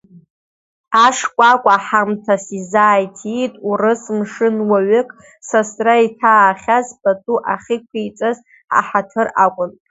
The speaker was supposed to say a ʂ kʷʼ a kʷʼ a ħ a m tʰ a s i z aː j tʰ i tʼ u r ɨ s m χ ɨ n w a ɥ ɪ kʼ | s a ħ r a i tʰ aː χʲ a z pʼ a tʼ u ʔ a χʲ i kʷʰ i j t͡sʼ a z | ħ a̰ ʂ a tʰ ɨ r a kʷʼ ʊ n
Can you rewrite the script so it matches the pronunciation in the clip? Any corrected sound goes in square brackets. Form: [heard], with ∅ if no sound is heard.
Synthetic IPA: a ʂ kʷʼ a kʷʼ a ħ a m tʰ a s i z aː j tʰ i tʼ u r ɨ s m [ʂ] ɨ n w a ɥ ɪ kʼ | s a [s] r a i tʰ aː χʲ a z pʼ a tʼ u ʔ a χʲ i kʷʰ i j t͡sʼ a z | ħ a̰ [ħ] a tʰ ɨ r a kʷʼ ʊ n

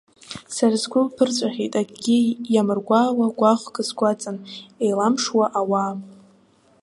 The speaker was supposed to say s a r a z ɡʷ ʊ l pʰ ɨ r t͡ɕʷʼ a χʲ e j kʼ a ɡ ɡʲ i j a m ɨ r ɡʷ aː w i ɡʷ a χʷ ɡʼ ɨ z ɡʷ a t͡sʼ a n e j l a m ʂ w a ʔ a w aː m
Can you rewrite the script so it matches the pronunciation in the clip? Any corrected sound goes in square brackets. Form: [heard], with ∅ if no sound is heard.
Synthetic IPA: s a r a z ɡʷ ʊ l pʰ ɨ r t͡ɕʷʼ a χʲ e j [tʼ] a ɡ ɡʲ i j a m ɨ r ɡʷ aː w [a] ɡʷ a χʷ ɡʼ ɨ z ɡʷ a t͡sʼ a n e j l a m ʂ w a ʔ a w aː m

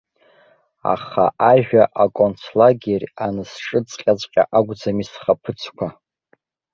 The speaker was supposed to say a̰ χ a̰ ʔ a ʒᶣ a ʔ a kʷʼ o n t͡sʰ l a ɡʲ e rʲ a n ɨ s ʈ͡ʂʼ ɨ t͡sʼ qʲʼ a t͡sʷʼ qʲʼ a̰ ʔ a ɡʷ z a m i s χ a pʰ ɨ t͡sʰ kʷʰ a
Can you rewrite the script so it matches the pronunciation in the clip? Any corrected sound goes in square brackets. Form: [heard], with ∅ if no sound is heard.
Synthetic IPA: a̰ χ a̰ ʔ a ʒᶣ a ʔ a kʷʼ o n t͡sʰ l a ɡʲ e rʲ a n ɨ s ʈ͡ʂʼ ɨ t͡sʼ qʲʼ a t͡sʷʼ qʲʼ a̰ ʔ a ɡʷ [d͡z] a m i s χ a pʰ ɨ t͡sʰ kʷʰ a

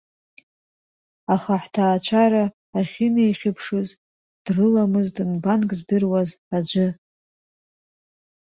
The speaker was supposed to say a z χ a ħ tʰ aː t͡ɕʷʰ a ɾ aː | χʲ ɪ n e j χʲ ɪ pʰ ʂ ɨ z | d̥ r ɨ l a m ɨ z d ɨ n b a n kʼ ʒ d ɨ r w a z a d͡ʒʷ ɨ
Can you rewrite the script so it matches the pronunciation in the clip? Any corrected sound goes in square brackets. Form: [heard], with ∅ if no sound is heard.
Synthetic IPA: a [∅] χ a ħ tʰ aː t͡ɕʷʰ a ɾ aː | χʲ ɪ n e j χʲ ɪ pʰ ʂ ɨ z | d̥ r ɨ l a m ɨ z d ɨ n b a n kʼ [z] d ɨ r w a z a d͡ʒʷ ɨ

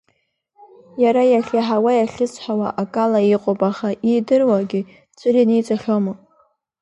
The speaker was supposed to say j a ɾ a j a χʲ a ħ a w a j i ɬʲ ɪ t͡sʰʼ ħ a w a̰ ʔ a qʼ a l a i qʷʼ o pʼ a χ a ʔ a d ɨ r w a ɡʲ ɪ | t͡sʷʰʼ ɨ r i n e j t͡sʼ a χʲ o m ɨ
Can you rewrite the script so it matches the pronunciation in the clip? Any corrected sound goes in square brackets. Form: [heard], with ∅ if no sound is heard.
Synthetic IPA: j a ɾ a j a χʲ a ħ a w a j [a] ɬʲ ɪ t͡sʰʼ ħ a w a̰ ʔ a [kʼ] a l a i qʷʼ o pʼ a χ a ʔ [i] d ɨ r w a ɡʲ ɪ | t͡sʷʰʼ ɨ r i n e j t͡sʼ a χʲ o m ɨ

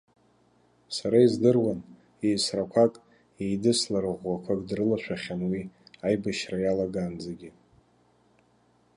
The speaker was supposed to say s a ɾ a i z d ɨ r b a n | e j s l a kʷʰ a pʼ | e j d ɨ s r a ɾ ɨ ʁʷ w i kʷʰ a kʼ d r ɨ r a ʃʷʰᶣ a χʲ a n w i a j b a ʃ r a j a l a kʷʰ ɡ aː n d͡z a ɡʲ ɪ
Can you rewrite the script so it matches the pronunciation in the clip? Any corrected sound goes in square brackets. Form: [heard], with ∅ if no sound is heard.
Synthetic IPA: s a ɾ a i z d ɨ r [w] a n | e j s [r] a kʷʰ a [kʼ] | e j d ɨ s [l] a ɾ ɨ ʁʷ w [a] kʷʰ a kʼ d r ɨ [l] a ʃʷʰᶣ a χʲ a n w i a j b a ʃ r a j a l a [∅] ɡ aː n d͡z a ɡʲ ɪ

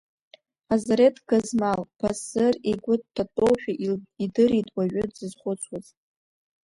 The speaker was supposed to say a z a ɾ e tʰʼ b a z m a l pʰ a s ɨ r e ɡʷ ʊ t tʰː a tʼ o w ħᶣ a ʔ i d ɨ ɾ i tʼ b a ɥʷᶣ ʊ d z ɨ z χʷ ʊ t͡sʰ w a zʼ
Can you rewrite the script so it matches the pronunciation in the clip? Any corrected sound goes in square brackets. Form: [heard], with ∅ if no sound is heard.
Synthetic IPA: a z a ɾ e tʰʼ [ɡ] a z m a l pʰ a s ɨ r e ɡʷ ʊ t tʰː a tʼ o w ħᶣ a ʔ i d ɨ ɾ i tʼ [w] a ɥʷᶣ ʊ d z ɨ z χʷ ʊ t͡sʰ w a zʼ

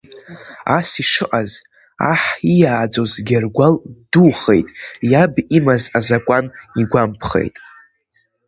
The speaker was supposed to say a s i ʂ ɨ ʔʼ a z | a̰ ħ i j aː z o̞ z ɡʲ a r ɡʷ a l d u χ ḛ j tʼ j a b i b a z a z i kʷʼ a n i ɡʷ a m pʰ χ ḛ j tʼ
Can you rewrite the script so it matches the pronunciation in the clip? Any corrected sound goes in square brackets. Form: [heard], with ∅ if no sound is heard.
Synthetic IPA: a s i ʂ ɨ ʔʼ a z | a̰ ħ i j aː [d͡z] o̞ z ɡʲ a r ɡʷ a l d u χ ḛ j tʼ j a b i [m] a z a z [a] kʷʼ a n i ɡʷ a m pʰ χ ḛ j tʼ

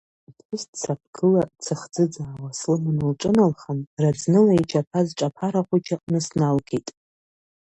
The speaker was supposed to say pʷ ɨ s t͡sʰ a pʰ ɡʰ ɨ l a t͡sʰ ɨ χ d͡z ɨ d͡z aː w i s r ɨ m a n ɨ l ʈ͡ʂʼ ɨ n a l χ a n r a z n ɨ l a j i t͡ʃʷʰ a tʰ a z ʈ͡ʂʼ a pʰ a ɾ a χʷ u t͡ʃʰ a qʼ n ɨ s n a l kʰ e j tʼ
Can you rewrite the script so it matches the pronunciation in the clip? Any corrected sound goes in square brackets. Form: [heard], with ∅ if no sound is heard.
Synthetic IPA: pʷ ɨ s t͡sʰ a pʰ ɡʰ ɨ l a t͡sʰ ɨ χ d͡z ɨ d͡z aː w [a] s [l] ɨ m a n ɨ l ʈ͡ʂʼ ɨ n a l χ a n r a [d͡z] n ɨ l a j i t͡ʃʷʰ a [pʰ] a z ʈ͡ʂʼ a pʰ a ɾ a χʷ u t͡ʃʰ a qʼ n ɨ s n a l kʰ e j tʼ

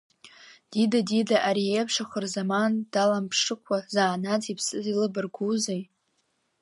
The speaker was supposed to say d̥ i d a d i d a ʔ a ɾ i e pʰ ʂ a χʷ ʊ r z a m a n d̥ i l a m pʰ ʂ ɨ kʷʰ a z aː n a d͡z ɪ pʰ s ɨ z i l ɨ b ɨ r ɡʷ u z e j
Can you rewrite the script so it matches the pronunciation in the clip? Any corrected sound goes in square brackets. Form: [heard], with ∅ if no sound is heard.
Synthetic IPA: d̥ i d a d i d a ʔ a ɾ i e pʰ ʂ a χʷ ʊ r z a m a n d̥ [a] l a m pʰ ʂ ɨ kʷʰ a z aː n a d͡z [i] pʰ s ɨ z i l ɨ b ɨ r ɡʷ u z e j

